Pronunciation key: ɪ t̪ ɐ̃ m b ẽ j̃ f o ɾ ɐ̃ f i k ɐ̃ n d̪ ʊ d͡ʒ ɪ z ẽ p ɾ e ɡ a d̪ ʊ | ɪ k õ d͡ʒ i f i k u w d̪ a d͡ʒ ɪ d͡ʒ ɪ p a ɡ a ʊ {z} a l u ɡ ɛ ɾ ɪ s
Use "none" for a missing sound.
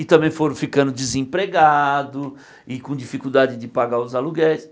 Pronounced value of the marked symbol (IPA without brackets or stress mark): z